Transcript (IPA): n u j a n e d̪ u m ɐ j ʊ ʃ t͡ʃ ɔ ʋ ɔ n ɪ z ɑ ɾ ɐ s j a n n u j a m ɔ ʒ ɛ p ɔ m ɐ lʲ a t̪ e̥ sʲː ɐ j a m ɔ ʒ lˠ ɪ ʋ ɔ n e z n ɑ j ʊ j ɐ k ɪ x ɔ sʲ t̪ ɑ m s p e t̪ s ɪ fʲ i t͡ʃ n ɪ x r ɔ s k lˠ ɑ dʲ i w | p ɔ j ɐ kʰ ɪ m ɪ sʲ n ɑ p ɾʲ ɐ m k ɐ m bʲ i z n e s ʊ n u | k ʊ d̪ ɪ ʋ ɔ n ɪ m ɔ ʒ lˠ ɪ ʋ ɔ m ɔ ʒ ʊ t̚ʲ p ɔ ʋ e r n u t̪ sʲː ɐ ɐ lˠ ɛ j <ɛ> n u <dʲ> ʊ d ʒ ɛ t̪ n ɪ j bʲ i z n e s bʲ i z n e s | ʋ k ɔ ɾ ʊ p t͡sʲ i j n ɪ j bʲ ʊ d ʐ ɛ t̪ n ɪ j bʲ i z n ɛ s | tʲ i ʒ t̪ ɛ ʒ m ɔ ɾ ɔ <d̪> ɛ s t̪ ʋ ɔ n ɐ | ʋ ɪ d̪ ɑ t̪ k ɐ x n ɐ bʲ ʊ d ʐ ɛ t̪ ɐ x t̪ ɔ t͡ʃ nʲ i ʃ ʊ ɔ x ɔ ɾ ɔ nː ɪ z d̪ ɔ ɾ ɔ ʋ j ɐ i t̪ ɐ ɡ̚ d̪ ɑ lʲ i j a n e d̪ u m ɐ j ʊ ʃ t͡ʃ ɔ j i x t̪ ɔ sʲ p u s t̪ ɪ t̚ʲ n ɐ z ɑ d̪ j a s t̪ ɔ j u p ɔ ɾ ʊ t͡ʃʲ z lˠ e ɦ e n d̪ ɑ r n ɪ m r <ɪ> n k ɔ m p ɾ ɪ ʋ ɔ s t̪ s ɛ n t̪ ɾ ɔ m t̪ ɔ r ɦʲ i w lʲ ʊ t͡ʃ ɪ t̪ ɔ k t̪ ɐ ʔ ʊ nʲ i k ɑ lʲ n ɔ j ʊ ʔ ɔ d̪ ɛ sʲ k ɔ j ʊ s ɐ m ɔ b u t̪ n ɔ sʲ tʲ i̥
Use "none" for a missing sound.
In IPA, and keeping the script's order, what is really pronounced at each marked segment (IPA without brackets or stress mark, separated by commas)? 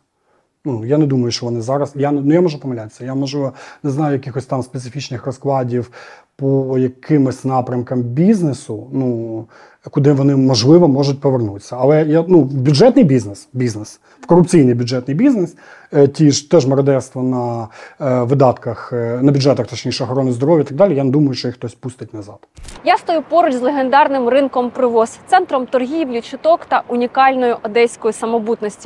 a, bʲ, d̪, ɪ